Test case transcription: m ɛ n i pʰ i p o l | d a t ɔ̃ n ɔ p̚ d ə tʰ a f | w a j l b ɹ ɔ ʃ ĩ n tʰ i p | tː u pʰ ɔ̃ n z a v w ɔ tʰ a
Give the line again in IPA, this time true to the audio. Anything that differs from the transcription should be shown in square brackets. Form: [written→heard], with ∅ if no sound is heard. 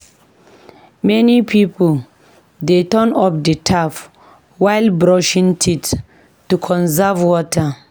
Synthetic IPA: m ɛ n i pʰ i p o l | d [a→e] t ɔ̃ n ɔ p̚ d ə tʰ a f | w a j l b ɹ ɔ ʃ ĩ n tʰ i [p→t] | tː u [pʰ→kʰ] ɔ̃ n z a v w ɔ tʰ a